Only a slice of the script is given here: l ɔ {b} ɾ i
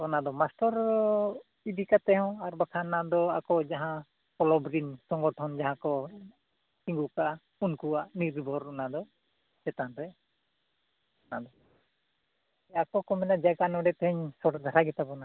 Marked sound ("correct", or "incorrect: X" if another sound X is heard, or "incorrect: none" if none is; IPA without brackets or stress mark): correct